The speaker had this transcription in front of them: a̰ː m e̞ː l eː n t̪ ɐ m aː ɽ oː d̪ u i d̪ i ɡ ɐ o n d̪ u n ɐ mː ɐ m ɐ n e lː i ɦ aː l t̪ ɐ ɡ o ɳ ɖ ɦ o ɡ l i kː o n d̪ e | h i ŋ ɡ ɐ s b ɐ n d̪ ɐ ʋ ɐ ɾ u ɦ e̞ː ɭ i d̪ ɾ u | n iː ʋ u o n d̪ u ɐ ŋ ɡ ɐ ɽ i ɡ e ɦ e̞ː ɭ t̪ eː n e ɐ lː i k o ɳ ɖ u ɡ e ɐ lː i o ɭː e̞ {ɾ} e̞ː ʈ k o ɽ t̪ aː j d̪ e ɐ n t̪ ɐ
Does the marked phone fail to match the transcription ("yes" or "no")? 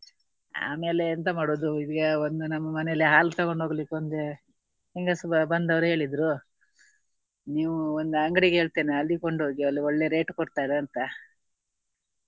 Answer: no